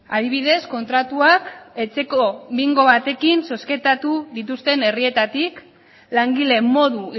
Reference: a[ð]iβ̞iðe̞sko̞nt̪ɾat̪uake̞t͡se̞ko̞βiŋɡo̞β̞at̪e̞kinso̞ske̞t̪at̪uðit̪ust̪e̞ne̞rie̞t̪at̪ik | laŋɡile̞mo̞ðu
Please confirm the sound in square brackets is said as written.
yes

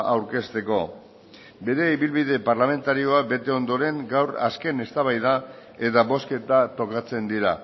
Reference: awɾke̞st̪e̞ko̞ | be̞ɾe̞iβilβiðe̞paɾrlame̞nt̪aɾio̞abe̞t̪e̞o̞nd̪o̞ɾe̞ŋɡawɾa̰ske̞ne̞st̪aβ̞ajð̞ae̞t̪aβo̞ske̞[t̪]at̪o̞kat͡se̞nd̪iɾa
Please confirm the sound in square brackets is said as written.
yes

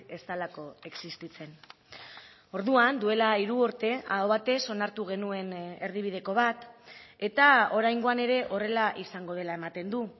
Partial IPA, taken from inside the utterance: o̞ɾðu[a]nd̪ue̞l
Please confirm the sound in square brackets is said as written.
yes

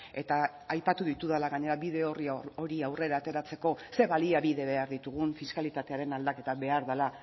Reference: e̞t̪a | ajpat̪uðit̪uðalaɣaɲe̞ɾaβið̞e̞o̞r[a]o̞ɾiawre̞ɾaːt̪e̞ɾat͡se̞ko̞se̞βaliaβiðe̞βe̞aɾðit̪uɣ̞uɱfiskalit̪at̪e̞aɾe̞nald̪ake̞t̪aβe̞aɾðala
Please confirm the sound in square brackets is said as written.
no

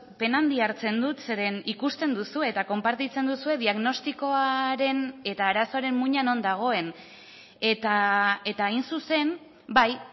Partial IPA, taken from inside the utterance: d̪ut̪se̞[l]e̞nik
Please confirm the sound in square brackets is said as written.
no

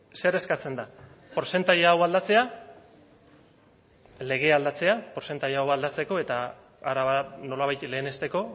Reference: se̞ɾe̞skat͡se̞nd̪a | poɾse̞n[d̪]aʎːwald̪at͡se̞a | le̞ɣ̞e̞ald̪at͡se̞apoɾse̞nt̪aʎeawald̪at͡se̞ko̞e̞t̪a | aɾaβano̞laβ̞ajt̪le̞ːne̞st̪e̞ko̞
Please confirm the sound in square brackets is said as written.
no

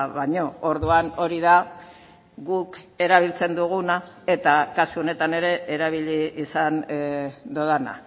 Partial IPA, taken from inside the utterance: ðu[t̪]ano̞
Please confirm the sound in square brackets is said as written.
no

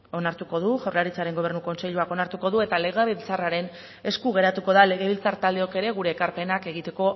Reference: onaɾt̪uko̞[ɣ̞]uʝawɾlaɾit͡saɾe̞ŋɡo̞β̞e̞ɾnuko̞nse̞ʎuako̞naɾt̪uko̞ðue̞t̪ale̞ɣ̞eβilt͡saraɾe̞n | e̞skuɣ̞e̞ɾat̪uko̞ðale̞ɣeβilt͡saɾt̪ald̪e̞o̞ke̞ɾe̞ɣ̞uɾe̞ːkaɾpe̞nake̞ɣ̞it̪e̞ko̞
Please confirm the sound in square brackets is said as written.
no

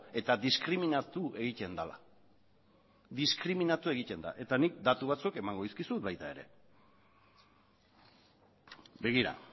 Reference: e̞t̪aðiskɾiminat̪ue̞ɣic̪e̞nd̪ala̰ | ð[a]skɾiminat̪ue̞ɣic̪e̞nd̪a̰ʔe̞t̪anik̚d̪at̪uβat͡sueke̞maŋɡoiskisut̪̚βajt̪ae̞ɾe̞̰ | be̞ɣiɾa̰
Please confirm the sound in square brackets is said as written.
no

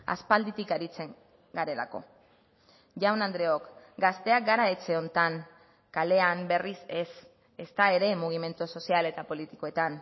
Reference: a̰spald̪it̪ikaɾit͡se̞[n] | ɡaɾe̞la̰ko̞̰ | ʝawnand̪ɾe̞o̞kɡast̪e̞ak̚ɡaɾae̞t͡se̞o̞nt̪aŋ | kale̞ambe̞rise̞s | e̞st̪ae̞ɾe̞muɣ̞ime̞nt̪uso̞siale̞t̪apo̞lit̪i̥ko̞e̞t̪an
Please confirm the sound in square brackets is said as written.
no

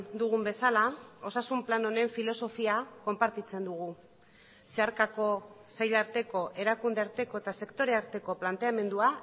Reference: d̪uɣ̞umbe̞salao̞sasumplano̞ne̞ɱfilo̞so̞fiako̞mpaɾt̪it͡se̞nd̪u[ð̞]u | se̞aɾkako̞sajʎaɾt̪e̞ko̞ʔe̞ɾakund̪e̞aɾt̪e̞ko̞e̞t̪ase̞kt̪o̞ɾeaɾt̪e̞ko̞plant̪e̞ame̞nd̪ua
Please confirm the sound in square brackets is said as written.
no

